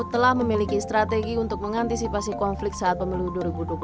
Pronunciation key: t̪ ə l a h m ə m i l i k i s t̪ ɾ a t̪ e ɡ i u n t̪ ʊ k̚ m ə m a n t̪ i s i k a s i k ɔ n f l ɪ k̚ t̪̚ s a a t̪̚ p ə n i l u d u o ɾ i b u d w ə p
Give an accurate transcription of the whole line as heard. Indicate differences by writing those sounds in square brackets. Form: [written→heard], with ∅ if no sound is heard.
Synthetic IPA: t̪ ə l a h m ə m i l i k i s t̪ ɾ a t̪ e ɡ i u n t̪ ʊ k̚ m ə [m→ŋ] a n t̪ i s i [k→p] a s i k ɔ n f l ɪ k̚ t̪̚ s a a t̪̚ p ə [n→m] i l u d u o ɾ i b u d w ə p